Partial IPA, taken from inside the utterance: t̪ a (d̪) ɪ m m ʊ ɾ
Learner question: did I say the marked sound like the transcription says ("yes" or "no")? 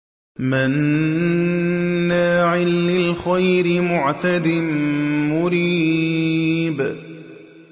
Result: yes